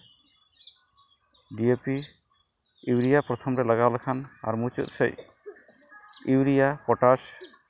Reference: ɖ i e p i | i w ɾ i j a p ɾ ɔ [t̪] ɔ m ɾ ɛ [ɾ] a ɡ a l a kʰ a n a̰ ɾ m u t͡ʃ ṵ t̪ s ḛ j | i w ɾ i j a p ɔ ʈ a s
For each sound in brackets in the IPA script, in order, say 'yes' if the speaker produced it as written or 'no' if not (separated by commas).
no, no